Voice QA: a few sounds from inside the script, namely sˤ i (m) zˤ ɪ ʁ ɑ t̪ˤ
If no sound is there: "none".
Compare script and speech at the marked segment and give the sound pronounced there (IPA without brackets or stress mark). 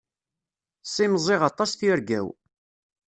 m